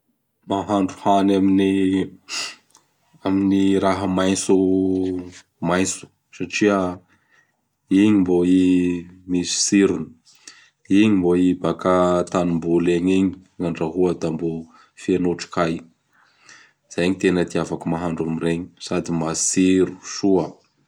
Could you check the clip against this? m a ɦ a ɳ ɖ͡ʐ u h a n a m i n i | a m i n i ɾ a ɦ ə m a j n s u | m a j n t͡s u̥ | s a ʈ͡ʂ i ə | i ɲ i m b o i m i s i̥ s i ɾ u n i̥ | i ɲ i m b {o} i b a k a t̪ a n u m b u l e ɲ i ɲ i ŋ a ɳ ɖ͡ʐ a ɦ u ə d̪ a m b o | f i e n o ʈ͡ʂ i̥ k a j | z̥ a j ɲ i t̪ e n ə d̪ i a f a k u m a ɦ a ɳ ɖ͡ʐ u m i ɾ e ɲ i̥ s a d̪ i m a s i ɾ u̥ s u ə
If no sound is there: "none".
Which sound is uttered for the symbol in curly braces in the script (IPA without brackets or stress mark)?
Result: o